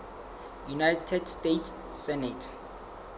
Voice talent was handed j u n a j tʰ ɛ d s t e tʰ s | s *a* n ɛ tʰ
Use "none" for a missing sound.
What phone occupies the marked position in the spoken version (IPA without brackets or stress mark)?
ɛ